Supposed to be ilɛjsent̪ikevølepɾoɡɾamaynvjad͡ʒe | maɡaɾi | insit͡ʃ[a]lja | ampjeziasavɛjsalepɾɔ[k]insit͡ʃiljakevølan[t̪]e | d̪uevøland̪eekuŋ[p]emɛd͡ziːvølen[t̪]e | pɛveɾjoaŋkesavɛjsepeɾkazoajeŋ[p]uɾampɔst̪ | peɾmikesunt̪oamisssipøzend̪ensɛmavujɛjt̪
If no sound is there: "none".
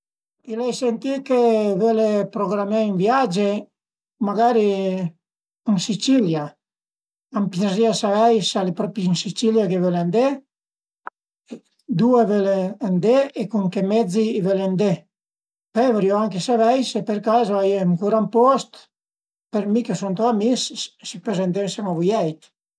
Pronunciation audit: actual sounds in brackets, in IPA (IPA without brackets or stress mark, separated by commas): i, p, d̪, k, d̪, k